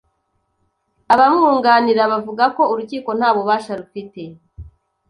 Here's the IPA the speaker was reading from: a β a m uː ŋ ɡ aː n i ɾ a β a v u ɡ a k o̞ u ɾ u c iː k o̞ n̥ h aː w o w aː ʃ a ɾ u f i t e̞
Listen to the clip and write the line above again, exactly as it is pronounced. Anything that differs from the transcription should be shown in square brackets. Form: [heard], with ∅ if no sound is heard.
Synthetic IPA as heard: a β a m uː ŋ ɡ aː n i ɾ a β a v u ɡ a k o̞ u ɾ u c iː k o̞ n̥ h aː [β] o [β] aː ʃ a ɾ u f i t e̞